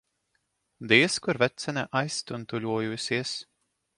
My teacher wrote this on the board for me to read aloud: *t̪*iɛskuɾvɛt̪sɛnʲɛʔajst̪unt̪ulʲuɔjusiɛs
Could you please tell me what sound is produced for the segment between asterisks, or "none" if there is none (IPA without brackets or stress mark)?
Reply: d̪